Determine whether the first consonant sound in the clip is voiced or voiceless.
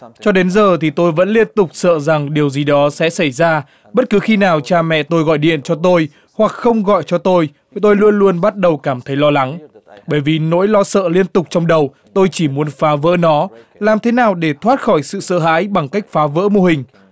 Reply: voiceless